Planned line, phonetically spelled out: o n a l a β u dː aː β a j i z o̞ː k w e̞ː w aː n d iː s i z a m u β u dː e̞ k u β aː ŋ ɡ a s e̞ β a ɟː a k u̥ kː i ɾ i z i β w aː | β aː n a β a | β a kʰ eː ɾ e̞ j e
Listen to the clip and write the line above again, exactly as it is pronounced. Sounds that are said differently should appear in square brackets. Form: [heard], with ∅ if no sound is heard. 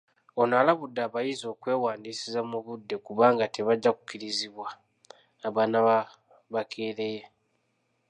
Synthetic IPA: o n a l a β u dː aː β a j i z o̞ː k w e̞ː w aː n d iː s i z a m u β u dː e̞ k u β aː ŋ ɡ a [t] e̞ β a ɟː a k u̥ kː i ɾ i z i β w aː | β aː n a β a | β a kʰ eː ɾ e̞ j e